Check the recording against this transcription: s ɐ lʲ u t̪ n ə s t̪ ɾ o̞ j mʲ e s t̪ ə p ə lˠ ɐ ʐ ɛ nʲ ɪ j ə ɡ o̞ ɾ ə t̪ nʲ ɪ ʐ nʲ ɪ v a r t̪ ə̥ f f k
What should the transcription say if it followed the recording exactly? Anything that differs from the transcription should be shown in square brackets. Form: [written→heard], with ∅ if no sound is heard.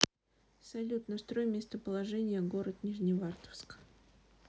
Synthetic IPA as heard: s ɐ lʲ u t̪ n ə s t̪ ɾ o̞ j mʲ e s t̪ ə p ə lˠ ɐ ʐ ɛ nʲ ɪ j ə ɡ o̞ ɾ ə t̪ nʲ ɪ ʐ nʲ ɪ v a r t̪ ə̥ f [f→s] k